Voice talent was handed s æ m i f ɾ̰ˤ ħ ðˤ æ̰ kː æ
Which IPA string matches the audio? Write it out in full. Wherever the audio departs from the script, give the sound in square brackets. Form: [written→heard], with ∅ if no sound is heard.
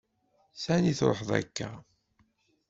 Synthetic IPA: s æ [m→n] i [f→θ] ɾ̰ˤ ħ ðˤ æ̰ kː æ